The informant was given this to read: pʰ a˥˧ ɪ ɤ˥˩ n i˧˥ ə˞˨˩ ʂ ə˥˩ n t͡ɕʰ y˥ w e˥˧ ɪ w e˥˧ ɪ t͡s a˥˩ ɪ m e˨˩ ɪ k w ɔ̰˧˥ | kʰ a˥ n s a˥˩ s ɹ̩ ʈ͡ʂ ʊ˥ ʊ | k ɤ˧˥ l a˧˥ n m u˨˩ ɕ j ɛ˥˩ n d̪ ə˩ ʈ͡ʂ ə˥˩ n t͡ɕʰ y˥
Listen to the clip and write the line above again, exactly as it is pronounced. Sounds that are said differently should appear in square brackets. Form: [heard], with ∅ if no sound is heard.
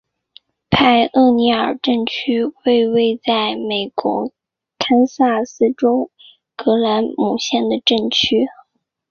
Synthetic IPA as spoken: pʰ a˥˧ ɪ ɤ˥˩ n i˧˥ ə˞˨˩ [ʈ͡ʂ] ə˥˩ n t͡ɕʰ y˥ w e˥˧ ɪ w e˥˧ ɪ t͡s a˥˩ ɪ m e˨˩ ɪ k w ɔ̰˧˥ | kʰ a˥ n s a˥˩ s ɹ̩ ʈ͡ʂ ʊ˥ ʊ | k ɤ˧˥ l a˧˥ n m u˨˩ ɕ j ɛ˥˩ n d̪ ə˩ ʈ͡ʂ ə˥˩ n t͡ɕʰ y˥